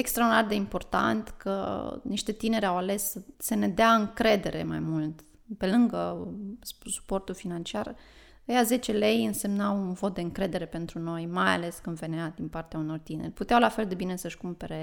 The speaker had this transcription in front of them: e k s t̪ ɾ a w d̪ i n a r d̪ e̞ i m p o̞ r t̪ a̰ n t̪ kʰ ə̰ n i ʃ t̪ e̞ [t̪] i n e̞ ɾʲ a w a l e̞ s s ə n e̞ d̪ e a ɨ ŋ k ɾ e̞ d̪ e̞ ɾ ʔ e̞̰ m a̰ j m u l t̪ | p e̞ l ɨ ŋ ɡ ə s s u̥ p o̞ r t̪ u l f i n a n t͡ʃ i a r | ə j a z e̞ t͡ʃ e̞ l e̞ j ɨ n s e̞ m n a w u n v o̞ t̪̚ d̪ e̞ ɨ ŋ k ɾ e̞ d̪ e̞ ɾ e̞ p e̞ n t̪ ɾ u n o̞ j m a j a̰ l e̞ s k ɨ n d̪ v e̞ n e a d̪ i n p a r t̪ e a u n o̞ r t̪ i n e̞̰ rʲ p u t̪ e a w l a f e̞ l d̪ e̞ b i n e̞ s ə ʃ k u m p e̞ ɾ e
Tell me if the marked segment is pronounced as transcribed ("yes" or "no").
yes